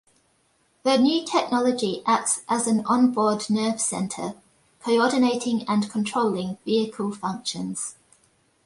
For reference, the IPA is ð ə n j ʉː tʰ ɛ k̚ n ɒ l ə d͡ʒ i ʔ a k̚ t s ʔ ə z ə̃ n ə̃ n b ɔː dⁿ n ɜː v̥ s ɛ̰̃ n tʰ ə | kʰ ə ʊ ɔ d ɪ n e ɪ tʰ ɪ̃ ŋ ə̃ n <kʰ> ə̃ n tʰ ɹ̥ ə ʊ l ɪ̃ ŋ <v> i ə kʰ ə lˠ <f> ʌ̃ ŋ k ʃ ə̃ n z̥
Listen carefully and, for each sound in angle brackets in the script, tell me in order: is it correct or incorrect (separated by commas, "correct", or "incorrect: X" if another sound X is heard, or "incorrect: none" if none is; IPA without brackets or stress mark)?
correct, correct, correct